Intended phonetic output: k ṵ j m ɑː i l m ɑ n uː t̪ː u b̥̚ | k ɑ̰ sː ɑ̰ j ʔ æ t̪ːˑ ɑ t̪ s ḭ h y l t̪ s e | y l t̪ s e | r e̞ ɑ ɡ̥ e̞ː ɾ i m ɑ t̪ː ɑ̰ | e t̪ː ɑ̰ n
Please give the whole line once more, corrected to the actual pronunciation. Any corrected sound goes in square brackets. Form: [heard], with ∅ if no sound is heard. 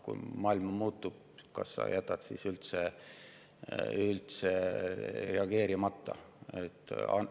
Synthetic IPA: k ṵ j m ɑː i l m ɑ [m] uː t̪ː u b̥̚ | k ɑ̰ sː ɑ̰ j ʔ æ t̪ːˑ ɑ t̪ s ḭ [s] y l t̪ s e | y l t̪ s e | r e̞ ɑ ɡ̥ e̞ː ɾ i m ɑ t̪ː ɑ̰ | e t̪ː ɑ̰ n